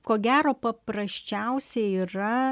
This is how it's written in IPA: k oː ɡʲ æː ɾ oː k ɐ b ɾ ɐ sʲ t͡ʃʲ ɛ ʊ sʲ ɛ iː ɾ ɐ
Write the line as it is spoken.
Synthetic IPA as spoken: k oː ɡʲ æː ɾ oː p ɐ p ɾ ɐ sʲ t͡ʃʲ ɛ ʊ sʲ ɛ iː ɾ ɐ

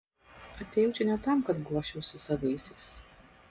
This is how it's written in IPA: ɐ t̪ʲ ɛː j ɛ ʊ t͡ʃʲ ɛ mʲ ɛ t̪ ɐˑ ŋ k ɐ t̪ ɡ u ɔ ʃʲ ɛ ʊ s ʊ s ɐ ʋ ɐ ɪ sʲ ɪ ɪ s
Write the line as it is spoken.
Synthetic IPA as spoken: ɐ t̪ʲ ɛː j ɛ ʊ t͡ʃʲ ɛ nʲ ɛ t̪ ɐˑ m k ɐ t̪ ɡ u ɔ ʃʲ ɛ ʊ s ʊ s ɐ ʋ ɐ ɪ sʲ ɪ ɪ s

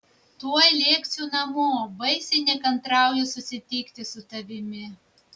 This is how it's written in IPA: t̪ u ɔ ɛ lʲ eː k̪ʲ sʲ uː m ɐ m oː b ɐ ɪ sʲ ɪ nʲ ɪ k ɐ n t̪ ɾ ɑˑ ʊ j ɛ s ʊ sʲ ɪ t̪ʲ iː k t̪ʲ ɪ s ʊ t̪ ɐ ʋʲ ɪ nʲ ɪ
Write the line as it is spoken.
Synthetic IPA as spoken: t̪ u ɔ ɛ lʲ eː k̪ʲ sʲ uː n ɐ m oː b ɐ ɪ sʲ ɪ nʲ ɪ k ɐ n t̪ ɾ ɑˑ ʊ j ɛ s ʊ sʲ ɪ t̪ʲ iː k t̪ʲ ɪ s ʊ t̪ ɐ ʋʲ ɪ mʲ ɪ

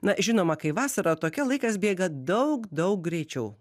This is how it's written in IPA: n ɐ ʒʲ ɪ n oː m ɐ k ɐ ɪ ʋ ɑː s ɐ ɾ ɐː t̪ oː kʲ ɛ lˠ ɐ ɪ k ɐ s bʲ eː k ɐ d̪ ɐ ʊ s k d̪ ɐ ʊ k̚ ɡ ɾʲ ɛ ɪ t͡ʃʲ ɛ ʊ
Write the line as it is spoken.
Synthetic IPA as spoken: n ɐ ʒʲ ɪ n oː m ɐ k ɐ ɪ ʋ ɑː s ɐ ɾ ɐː t̪ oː kʲ ɛ lˠ ɐ ɪ k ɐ s bʲ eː ɡ ɐ d̪ ɐ ʊ k d̪ ɐ ʊ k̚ ɡ ɾʲ ɛ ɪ t͡ʃʲ ɛ ʊ

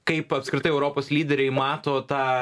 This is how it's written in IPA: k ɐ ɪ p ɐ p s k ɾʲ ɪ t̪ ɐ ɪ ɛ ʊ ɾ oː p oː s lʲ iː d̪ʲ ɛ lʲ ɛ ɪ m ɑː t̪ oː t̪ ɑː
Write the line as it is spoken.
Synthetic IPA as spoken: k ɐ ɪ p ɐ p s k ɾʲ ɪ t̪ ɐ ɪ ɛ ʊ ɾ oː p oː s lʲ iː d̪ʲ ɛ ɾʲ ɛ ɪ m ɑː t̪ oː t̪ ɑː

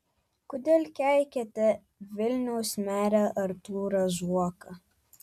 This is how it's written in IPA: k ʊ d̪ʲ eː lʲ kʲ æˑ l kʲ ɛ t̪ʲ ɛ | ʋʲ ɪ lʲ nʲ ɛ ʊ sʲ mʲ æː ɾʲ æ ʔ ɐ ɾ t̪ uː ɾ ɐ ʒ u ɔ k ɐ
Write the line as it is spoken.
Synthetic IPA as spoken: k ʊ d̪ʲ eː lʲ kʲ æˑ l kʲ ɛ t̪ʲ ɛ | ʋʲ ɪ lʲ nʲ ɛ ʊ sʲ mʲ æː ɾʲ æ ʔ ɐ ɾ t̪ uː ɾ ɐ ʒ u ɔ k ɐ

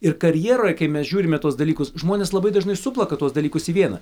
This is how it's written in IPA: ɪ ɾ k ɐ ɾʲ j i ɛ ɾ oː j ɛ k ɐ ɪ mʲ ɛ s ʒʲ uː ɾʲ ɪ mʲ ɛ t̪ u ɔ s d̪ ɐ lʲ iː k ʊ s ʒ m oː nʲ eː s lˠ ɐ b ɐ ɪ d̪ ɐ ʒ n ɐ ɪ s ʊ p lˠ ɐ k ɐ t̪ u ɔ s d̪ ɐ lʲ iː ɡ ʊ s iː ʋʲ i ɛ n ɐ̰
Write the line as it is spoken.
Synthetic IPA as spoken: ɪ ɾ k ɐ ɾʲ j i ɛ ɾ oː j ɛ k ɐ ɪ mʲ ɛ s ʒʲ uː ɾʲ ɪ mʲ ɛ t̪ u ɔ s d̪ ɐ lʲ iː k ʊ s ʒ m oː nʲ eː s lˠ ɐ b ɐ ɪ d̪ ɐ ʒ n ɐ ɪ s ʊ p lˠ ɐ k ɐ t̪ u ɔ s d̪ ɐ lʲ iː k ʊ s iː ʋʲ i ɛ n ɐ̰

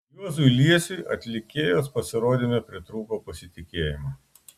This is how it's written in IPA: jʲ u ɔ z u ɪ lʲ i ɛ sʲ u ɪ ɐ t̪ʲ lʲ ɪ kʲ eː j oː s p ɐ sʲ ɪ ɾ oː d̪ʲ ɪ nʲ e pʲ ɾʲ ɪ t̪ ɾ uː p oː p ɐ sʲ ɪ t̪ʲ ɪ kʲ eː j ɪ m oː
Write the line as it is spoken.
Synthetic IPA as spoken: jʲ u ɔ z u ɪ lʲ i ɛ sʲ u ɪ ɐ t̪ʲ lʲ ɪ kʲ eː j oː s p ɐ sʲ ɪ ɾ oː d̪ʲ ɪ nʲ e pʲ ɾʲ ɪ t̪ ɾ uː p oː p ɐ sʲ ɪ t̪ʲ ɪ kʲ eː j ɪ m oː

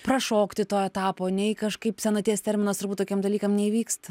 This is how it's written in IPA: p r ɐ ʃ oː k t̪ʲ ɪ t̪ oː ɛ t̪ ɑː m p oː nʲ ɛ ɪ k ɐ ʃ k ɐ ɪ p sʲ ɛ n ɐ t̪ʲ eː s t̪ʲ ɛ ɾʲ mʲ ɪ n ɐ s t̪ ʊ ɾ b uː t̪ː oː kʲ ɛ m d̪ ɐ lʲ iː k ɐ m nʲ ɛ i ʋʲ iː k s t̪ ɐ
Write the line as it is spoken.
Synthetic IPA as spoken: p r ɐ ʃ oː k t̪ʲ ɪ t̪ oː ɛ t̪ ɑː p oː nʲ ɛ ɪ k ɐ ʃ k ɐ ɪ p sʲ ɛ n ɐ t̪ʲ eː s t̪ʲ ɛ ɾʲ mʲ ɪ n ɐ s t̪ ʊ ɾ b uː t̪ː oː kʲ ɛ m d̪ ɐ lʲ iː k ɐ m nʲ ɛ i ʋʲ iː k s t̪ ɐ

